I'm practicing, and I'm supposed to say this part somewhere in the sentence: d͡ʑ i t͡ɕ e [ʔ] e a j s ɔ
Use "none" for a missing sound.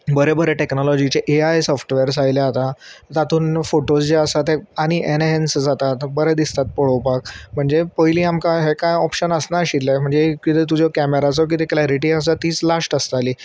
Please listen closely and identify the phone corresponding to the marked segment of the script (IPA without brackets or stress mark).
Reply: ʔ